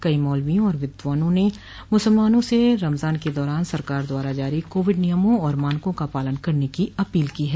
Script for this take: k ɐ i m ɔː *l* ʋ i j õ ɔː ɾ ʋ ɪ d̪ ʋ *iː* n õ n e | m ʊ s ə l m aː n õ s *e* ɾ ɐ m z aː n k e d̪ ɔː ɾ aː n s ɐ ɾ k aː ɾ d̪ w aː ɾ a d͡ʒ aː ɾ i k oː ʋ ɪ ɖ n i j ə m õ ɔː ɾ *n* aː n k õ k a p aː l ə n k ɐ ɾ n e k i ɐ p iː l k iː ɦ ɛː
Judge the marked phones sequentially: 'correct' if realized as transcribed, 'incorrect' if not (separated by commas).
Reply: correct, incorrect, correct, incorrect